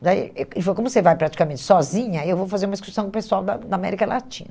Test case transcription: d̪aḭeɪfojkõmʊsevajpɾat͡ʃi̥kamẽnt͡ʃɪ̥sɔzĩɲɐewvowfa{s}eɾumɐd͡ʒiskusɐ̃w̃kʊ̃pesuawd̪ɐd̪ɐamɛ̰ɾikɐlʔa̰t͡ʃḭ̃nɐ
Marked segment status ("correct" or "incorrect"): incorrect